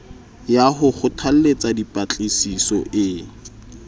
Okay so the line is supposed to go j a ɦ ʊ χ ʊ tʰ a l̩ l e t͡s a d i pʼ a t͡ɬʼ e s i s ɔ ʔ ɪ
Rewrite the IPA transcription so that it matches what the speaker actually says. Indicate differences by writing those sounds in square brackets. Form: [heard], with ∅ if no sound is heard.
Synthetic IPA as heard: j a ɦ ʊ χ ʊ tʰ a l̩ l e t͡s a d i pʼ a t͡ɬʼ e s i s ɔ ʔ ɪ